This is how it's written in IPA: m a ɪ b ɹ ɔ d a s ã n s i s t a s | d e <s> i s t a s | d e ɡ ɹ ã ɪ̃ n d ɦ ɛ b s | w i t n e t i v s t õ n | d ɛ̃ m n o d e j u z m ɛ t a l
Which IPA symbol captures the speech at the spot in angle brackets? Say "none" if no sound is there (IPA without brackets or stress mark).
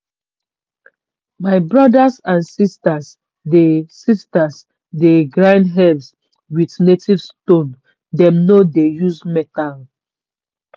s